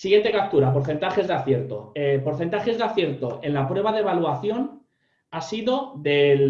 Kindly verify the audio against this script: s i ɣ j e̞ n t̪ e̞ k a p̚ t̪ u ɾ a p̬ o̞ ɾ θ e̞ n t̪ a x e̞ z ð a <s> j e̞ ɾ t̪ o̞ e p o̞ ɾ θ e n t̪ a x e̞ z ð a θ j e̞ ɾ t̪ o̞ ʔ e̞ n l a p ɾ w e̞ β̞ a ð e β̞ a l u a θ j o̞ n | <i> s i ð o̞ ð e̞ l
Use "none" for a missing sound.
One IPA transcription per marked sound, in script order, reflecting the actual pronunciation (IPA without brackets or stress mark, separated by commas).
θ, a